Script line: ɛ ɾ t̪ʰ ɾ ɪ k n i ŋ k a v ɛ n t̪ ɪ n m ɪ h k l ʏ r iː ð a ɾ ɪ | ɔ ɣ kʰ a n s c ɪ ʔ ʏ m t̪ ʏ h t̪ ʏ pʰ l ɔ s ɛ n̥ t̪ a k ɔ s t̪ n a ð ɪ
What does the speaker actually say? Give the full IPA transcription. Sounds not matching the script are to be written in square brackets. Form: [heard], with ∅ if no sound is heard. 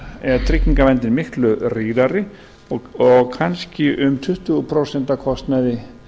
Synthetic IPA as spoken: ɛ ɾ t̪ʰ ɾ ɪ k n i ŋ k a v ɛ n t̪ ɪ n m ɪ h k l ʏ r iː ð a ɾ ɪ | ɔ ɣ kʰ a n s c ɪ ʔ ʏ m [t̪ʰ] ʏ h t̪ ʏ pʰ [ɾ] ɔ s ɛ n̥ t̪ a [kʰ] ɔ s t̪ n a ð ɪ